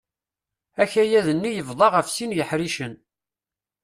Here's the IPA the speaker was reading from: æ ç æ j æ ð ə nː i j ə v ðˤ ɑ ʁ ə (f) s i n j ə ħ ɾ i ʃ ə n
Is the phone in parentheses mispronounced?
no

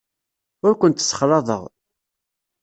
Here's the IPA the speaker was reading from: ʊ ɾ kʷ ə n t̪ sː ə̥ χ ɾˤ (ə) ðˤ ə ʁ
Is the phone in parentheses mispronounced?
yes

